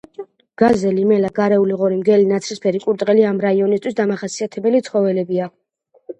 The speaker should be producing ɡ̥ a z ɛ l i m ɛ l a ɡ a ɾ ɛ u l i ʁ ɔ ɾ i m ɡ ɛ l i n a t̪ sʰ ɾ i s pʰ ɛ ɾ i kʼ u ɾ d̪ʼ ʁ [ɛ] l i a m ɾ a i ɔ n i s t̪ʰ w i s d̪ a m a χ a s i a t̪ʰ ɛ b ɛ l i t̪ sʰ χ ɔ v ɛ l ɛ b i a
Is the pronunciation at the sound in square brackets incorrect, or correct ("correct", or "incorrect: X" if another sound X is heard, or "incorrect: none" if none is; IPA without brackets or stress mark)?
correct